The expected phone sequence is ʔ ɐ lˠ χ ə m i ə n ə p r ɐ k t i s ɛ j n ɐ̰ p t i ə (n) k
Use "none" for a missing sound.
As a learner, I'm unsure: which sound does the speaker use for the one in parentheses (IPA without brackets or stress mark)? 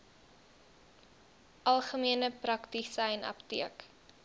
none